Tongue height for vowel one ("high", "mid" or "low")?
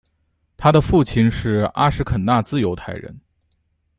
low